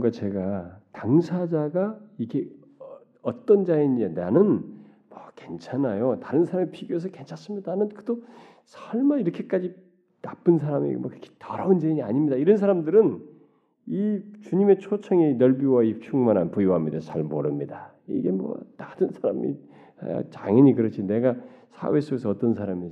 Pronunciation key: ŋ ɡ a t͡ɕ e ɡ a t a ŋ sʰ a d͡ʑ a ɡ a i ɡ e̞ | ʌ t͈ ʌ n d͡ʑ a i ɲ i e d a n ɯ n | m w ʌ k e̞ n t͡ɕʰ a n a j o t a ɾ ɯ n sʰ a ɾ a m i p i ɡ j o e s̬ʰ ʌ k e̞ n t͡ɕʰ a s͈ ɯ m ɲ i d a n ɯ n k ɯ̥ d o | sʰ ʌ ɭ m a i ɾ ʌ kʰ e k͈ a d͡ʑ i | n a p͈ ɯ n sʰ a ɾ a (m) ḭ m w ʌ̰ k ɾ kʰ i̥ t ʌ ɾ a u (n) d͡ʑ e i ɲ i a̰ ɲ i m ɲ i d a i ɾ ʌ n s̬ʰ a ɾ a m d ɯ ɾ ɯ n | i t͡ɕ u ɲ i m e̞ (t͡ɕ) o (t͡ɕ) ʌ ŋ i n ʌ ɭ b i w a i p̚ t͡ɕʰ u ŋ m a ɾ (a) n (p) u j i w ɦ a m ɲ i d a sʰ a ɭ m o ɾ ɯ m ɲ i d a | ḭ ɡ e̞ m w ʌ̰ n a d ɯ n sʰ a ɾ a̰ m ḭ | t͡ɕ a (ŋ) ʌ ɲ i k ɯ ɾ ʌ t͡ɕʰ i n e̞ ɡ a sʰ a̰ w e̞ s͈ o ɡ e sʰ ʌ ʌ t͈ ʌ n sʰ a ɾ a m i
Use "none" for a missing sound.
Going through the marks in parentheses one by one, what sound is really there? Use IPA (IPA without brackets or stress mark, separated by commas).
m, n, t͡ɕʰ, t͡ɕʰ, a, p, ŋ